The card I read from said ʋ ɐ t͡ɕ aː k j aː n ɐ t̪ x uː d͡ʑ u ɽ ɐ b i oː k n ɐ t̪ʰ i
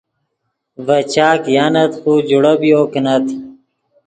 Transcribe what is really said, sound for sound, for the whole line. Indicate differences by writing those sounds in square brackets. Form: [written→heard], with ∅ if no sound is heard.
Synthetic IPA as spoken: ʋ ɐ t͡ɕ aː k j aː n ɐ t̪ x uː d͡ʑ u ɽ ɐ b i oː k n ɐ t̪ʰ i